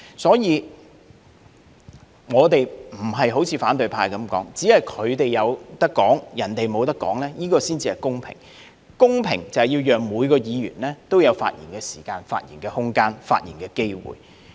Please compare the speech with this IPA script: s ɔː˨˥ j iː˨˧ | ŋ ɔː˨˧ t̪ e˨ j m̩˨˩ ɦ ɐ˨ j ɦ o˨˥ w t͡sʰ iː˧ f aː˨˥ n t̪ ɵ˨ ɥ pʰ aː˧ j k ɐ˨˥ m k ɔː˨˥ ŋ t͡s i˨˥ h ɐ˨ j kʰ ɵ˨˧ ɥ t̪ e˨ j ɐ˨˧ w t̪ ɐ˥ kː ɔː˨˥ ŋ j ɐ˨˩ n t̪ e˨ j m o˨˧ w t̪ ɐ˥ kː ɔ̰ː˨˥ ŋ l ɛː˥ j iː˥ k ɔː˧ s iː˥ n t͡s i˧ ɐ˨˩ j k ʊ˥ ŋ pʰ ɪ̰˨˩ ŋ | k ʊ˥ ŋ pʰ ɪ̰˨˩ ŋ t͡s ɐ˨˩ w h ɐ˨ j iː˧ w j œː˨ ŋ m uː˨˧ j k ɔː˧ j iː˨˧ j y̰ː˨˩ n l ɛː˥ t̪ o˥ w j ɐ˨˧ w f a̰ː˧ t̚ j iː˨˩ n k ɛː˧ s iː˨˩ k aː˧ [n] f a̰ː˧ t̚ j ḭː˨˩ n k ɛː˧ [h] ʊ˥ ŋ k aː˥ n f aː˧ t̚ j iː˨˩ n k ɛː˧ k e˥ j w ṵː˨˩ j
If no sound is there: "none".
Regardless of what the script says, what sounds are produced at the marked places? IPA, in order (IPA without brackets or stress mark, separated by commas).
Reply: n, h